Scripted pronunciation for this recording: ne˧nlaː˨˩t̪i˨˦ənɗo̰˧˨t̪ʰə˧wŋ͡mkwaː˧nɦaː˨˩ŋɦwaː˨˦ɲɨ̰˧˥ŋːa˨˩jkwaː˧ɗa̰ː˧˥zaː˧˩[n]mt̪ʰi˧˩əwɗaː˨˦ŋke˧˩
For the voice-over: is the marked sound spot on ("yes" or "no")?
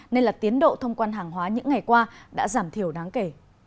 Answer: no